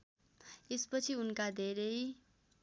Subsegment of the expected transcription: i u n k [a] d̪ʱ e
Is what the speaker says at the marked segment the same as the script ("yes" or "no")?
yes